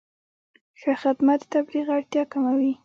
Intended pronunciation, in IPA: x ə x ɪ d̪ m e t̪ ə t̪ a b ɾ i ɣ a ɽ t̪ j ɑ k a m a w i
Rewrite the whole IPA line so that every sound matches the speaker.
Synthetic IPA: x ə x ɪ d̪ m a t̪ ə t̪ a b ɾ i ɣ a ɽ t̪ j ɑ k a m a w i